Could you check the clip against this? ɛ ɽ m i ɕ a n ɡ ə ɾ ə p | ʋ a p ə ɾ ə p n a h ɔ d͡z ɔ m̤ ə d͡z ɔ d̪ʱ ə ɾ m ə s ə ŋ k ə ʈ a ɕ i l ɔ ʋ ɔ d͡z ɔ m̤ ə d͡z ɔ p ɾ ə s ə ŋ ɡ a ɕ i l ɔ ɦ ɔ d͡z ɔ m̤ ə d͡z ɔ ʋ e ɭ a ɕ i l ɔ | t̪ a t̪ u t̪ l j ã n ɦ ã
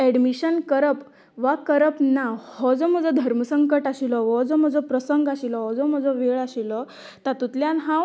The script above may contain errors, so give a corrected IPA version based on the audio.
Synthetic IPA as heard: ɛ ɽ m i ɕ ə n k ə ɾ ə p | ʋ a k ə ɾ ə p n a h ɔ d͡z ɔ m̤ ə d͡z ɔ d̪ʱ ə ɾ m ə s ə ŋ k ə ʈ a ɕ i l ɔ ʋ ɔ d͡z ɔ m̤ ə d͡z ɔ p ɾ ə s ə ŋ ɡ a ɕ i l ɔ ɦ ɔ d͡z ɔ m̤ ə d͡z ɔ ʋ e ɭ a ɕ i l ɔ | t̪ a t̪ u t̪ l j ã n ɦ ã